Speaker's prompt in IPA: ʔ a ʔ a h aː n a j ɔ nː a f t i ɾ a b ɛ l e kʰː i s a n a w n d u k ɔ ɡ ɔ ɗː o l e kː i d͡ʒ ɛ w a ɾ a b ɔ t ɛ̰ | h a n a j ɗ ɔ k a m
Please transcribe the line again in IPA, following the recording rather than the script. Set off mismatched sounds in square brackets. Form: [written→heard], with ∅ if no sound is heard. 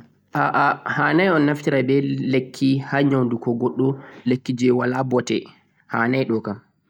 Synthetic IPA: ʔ a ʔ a h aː n a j ɔ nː a f t i ɾ a b ɛ l e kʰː i [s→h] a [n→ɲ] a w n d u k ɔ ɡ ɔ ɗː [o→ɔ] l e kː i d͡ʒ ɛ w a [ɾ→l] a b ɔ t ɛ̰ | h a n a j ɗ ɔ k a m